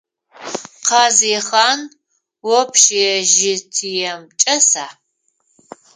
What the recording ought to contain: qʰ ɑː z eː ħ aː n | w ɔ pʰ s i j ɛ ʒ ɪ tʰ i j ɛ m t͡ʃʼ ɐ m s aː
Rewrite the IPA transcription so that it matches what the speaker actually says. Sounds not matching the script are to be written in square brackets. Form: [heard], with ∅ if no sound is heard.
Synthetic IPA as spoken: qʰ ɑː z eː [χ] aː n | w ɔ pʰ [ʃ] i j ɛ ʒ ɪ tʰ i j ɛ m t͡ʃʼ ɐ [∅] s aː